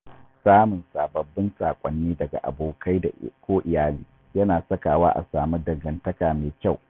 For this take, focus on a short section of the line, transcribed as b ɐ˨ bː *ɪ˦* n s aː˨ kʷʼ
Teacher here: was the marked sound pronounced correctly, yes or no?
yes